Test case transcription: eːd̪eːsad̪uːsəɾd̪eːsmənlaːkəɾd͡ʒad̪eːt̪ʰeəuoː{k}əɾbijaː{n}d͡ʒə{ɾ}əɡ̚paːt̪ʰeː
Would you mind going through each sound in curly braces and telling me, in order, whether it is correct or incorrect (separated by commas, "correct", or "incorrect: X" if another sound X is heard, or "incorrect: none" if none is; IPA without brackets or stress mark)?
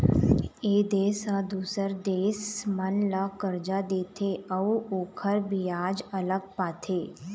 incorrect: kʰ, incorrect: none, incorrect: l